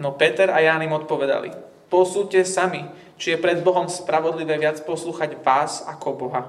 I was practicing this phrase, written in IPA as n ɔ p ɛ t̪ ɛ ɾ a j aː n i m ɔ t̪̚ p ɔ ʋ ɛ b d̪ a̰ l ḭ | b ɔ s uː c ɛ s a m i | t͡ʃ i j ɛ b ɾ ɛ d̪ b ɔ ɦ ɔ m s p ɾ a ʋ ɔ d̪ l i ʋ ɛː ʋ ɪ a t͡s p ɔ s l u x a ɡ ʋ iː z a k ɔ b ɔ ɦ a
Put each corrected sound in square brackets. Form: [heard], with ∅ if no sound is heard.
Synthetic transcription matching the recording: n ɔ p ɛ t̪ ɛ ɾ a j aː n i m ɔ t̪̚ p ɔ ʋ ɛ [∅] d̪ a̰ l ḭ | [p] ɔ s uː c ɛ s a m i | t͡ʃ i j ɛ [p] ɾ ɛ d̪ b ɔ ɦ ɔ m s p ɾ a ʋ ɔ d̪ l i ʋ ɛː ʋ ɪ a t͡s p ɔ s l [uː] x a [ɟ] ʋ [aː] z a k ɔ b ɔ ɦ a